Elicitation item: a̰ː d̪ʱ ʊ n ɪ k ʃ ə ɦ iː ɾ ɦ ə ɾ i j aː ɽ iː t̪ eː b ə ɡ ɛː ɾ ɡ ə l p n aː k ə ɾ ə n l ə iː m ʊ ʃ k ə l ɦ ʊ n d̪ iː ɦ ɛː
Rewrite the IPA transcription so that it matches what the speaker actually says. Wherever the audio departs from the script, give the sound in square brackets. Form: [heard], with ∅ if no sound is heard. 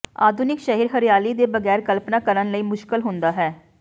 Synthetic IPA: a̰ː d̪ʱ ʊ n ɪ k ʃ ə ɦ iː ɾ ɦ ə ɾ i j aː [l] iː [d̪] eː b ə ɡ ɛː ɾ [k] ə l p n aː k ə ɾ ə n l ə iː m ʊ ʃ k ə l ɦ ʊ n d̪ [aː] ɦ ɛː